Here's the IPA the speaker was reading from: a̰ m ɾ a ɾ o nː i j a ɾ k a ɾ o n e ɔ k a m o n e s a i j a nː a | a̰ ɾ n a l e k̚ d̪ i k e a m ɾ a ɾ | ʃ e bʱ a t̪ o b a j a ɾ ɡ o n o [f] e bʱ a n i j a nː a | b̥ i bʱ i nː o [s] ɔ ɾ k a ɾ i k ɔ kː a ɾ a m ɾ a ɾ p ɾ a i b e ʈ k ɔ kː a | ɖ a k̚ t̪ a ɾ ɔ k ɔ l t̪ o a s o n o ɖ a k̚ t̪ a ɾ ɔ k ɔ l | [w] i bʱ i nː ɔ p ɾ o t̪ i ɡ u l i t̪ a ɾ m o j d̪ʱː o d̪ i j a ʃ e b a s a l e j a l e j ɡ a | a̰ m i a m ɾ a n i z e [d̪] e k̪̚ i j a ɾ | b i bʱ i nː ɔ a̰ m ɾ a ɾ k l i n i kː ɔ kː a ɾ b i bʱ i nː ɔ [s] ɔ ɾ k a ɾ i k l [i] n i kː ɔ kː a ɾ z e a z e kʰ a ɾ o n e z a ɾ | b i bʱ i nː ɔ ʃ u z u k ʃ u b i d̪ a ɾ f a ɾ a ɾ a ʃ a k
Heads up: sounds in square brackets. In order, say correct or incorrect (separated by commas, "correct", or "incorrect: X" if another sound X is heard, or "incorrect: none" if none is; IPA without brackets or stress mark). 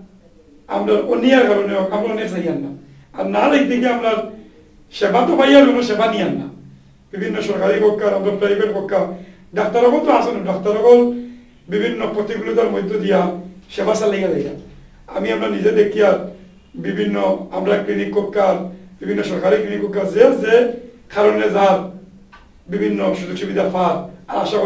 incorrect: ʃ, incorrect: ʃ, incorrect: b, correct, incorrect: ʃ, correct